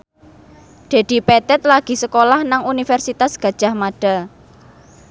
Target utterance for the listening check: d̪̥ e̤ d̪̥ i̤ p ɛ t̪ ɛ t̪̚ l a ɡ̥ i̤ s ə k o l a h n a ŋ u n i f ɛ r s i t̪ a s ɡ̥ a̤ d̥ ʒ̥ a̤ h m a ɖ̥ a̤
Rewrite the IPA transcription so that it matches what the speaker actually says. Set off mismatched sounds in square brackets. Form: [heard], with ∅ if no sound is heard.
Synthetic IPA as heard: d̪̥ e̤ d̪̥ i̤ p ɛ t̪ ɛ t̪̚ l a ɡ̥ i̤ s ə k o l a h n a ŋ u n i f ɛ r s i t̪ a s ɡ̥ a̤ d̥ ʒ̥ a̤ h m a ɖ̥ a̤